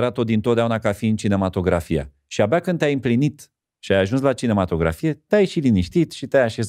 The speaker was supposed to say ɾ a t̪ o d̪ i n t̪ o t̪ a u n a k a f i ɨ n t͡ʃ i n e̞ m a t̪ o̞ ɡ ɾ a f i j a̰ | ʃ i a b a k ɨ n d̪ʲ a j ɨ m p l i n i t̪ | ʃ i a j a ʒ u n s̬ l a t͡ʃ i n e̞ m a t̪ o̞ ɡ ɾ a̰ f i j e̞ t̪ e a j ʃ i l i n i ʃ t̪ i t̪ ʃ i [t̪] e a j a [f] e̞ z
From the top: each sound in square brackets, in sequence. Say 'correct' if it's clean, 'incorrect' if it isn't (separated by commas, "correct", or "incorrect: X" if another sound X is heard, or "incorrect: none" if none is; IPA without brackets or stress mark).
correct, incorrect: ʃ